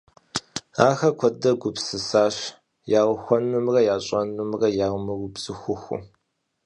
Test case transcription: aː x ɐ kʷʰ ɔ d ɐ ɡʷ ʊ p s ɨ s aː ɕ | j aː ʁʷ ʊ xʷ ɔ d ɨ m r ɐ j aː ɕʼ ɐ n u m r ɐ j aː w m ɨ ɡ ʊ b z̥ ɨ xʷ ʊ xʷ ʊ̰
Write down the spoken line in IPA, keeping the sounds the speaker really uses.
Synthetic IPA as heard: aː x ɐ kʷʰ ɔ d ɐ ɡʷ ʊ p s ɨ s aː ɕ | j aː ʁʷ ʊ xʷ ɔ n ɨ m r ɐ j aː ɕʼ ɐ n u m r ɐ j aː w m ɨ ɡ ʊ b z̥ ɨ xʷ ʊ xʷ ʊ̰